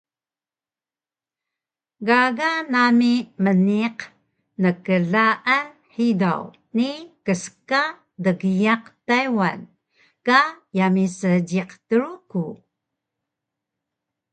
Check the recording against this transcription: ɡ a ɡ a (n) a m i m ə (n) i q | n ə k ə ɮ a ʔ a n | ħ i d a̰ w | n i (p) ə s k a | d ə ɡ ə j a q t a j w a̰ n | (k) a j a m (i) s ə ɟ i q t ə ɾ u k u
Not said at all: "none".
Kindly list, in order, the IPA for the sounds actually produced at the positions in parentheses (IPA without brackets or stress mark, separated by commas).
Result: n, n, k, k, i